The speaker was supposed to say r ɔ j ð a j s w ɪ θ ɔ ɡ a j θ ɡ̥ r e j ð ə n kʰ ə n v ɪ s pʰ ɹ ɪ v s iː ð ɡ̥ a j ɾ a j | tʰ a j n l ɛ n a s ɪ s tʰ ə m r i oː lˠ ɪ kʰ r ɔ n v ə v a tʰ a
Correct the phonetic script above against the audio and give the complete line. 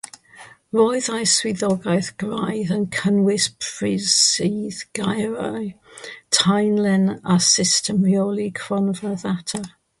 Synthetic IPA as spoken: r ɔ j ð a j s w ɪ ð ɔ ɡ a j θ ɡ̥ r a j ð ə n kʰ ə n w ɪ s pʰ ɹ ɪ z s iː ð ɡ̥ a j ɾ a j | tʰ a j n l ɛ n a s ɪ s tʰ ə m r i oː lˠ i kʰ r ɔ n v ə ð a tʰ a